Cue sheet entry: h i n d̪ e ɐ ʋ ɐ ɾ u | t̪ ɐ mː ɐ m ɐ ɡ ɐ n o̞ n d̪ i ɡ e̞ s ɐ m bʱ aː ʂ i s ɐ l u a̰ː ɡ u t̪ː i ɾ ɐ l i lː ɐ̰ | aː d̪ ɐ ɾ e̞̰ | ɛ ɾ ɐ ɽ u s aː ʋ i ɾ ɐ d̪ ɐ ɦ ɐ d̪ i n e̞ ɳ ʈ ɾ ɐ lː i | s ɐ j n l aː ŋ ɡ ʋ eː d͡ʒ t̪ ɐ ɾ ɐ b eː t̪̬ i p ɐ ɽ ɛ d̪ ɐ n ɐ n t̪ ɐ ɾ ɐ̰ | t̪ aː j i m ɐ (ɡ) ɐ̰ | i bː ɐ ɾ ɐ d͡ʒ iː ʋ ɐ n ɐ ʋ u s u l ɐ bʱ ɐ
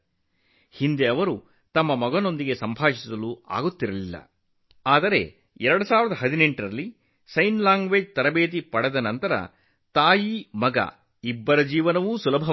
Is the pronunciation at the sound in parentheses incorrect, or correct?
correct